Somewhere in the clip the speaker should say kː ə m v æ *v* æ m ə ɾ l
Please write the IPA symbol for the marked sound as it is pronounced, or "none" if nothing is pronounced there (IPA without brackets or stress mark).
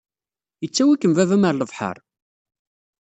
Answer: v